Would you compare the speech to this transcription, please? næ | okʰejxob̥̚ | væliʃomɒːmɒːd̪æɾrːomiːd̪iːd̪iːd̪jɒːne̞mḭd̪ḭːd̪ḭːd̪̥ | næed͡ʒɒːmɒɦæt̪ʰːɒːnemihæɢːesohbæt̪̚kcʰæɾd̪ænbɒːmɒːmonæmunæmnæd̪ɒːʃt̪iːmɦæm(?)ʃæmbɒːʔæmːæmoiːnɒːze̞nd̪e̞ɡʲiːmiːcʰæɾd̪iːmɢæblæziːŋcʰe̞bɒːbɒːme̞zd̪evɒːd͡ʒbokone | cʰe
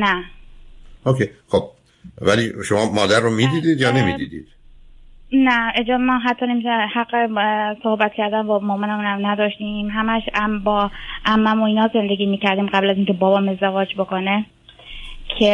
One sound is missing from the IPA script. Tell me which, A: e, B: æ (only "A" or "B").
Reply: B